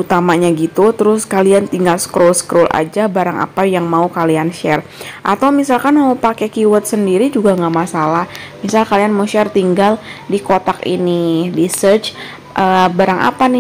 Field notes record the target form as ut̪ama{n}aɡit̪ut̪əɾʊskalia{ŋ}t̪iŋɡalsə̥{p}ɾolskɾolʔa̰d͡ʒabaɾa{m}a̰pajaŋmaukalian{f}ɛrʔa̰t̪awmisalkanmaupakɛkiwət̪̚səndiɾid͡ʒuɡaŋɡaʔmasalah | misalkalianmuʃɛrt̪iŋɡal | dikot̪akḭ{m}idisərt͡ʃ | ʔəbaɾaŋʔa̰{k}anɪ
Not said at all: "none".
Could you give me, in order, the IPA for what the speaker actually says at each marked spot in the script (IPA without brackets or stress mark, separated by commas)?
ɲ, n, k, ŋ, ʃ, n, p